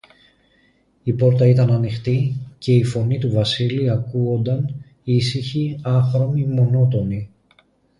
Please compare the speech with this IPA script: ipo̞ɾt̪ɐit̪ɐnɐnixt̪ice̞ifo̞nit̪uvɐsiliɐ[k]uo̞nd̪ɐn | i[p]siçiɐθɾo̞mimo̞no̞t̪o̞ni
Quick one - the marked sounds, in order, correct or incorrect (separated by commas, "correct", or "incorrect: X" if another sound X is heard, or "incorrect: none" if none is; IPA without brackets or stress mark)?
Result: correct, incorrect: none